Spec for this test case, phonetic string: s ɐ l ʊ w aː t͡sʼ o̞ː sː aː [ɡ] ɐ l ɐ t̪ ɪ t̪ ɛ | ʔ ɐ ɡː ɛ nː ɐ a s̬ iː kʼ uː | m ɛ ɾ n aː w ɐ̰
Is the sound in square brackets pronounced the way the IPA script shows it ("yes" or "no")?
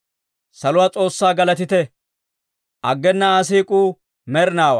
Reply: yes